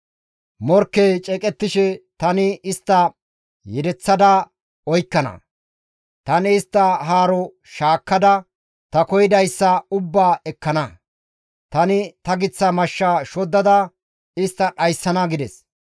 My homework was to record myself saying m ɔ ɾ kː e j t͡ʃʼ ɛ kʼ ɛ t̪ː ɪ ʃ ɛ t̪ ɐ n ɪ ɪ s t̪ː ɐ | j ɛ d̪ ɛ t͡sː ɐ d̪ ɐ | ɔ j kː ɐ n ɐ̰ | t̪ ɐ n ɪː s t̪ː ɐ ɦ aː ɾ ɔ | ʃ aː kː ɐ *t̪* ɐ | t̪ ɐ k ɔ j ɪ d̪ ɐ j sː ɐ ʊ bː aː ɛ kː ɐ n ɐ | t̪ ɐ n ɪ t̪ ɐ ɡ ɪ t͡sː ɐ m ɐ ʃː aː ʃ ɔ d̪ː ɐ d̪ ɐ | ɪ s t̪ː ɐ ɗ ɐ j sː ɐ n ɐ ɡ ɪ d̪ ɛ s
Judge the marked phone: incorrect: d̪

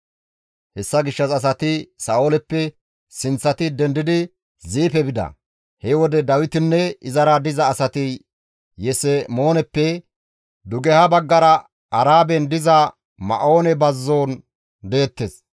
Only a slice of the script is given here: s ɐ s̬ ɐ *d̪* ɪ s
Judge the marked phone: incorrect: t̪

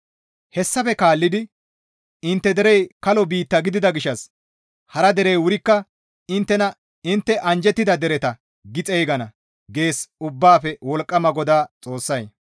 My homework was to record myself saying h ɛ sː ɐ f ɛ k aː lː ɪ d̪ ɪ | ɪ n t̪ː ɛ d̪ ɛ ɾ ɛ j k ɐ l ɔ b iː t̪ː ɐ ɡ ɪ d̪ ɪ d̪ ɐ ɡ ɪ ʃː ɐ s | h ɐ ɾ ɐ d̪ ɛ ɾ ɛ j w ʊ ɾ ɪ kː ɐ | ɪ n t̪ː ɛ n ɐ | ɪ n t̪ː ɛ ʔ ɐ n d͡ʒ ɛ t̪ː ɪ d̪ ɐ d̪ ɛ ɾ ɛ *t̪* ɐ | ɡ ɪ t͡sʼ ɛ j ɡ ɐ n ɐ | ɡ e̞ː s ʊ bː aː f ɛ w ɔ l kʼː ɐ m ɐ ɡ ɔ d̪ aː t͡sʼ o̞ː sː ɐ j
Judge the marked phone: correct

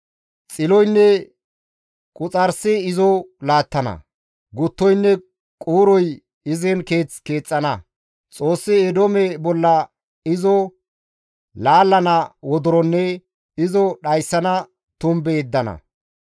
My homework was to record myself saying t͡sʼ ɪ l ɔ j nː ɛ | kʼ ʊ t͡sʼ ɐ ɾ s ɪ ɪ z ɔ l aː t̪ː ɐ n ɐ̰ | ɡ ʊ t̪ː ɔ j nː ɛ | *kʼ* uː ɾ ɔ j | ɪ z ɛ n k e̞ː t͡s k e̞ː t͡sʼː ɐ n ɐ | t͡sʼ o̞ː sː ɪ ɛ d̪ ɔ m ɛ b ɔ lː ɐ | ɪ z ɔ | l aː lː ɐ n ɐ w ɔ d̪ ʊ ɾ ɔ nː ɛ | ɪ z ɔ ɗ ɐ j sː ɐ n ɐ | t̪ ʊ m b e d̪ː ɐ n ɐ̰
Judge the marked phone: correct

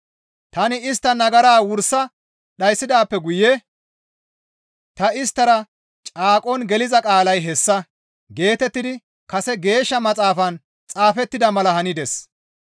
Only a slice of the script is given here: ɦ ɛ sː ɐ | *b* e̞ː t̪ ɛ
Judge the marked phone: incorrect: ɡ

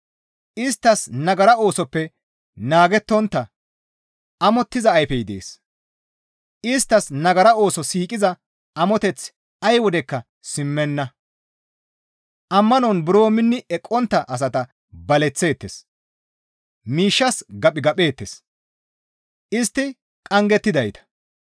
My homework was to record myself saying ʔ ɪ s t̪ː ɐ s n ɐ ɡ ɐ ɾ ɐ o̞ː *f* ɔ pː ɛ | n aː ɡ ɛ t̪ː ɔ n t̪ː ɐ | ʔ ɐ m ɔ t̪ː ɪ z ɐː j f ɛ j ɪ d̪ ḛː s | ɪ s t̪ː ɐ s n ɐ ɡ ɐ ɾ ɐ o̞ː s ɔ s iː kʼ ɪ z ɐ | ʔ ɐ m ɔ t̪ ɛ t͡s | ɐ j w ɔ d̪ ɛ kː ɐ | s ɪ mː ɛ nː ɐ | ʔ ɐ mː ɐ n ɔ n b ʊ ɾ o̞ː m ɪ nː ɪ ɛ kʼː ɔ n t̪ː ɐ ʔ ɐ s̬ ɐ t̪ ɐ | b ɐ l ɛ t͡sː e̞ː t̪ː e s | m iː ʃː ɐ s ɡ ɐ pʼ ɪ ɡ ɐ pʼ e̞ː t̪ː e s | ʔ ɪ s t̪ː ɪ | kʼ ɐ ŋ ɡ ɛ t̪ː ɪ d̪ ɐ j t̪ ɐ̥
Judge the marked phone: incorrect: s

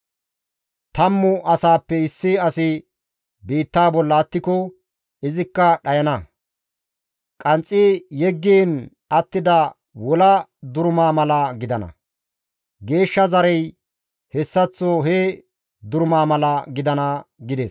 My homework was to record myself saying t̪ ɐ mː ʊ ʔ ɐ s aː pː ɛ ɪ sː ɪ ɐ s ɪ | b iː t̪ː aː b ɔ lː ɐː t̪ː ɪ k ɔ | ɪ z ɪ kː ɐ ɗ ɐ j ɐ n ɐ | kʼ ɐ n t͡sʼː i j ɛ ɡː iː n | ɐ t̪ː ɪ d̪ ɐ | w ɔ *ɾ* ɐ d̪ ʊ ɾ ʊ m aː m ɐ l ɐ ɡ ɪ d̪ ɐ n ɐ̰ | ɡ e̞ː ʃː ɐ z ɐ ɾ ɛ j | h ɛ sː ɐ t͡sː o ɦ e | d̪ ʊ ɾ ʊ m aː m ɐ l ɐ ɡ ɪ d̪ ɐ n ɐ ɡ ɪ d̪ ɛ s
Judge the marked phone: incorrect: l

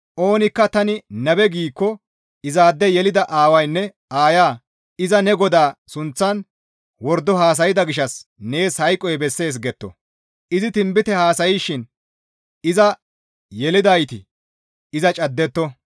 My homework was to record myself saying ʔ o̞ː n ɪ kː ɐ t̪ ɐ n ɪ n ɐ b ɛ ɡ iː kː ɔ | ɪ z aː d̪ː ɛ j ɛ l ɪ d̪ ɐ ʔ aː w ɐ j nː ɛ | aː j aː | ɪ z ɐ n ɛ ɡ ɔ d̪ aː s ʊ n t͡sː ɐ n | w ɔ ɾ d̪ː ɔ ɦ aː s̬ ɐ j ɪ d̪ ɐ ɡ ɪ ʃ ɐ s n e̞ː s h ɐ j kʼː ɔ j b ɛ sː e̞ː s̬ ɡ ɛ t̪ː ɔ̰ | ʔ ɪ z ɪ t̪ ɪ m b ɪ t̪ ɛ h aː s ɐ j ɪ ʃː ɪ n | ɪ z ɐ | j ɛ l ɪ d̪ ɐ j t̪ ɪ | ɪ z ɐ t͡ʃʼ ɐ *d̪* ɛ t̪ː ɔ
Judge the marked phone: incorrect: d̪ː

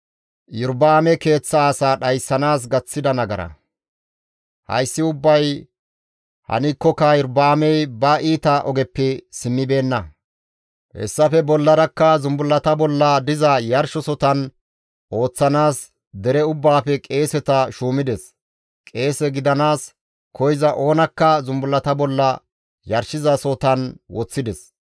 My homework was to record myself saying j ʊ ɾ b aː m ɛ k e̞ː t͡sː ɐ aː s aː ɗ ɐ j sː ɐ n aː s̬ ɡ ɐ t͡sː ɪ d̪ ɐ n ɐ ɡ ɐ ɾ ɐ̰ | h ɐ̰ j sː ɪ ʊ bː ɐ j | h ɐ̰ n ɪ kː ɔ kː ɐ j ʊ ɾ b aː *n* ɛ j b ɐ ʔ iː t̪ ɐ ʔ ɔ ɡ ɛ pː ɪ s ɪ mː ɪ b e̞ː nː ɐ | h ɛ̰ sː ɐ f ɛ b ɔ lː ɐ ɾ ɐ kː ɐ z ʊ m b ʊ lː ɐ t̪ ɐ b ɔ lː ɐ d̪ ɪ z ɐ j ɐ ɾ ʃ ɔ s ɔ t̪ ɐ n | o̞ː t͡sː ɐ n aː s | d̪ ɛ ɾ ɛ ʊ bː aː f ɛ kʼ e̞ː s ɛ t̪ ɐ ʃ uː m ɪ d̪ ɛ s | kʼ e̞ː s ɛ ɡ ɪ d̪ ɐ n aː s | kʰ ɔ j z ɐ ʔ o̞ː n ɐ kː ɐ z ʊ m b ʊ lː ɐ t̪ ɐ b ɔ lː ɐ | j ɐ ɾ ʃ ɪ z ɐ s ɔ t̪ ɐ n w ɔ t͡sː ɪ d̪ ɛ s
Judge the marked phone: incorrect: m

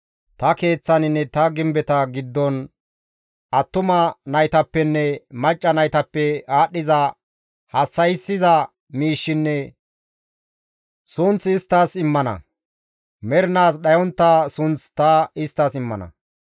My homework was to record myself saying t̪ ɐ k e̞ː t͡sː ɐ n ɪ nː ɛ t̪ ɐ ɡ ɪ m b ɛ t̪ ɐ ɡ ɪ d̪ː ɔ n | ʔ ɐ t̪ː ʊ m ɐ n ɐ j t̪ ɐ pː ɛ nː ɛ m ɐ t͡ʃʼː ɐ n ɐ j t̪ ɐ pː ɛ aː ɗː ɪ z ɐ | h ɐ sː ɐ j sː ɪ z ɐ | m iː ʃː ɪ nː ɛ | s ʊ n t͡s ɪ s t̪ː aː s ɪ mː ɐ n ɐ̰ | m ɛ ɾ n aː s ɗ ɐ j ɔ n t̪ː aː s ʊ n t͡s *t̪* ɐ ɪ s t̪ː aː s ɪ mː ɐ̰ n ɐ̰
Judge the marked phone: correct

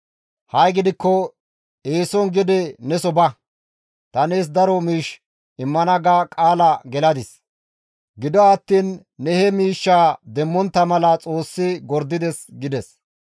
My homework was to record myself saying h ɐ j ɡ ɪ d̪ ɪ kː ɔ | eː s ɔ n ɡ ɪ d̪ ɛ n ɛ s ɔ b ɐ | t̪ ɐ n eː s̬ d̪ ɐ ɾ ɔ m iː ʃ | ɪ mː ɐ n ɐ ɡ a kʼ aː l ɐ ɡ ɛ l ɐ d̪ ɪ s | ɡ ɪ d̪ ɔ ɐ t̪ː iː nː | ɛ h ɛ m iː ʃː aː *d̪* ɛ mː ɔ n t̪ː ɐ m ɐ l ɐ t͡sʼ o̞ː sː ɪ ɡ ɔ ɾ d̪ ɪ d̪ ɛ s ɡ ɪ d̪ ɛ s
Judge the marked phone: correct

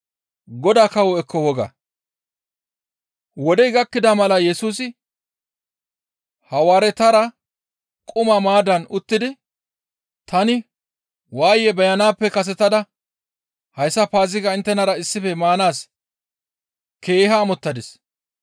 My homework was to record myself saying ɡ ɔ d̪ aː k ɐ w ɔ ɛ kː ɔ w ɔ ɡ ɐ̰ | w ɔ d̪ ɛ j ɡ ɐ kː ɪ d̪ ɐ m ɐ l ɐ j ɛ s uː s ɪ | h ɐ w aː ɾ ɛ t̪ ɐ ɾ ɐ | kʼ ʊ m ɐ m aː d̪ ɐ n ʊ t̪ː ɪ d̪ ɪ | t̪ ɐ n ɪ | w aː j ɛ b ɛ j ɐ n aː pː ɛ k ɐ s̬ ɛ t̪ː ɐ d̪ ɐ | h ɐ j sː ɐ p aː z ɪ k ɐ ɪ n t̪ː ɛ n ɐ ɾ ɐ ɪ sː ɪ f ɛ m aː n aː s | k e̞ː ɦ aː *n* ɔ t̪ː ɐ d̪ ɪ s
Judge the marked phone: incorrect: m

